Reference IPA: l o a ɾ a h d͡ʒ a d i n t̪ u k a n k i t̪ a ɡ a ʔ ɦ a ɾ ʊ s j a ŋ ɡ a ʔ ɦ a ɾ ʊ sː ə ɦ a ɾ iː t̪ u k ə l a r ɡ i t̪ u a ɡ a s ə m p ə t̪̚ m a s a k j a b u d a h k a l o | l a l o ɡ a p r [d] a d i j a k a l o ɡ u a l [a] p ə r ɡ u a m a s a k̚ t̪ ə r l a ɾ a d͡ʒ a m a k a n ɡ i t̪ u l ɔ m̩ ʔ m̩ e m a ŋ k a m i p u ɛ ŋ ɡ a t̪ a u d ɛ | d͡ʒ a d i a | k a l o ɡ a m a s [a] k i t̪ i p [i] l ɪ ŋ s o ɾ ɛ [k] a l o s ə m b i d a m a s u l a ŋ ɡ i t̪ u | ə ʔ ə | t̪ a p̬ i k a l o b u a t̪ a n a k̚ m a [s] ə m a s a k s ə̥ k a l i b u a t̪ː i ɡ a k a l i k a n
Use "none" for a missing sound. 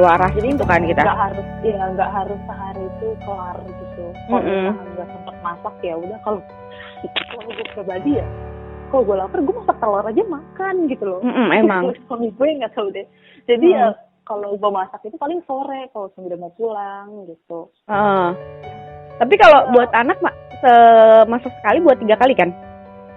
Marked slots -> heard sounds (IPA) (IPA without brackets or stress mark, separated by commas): b, a, a, a, k, s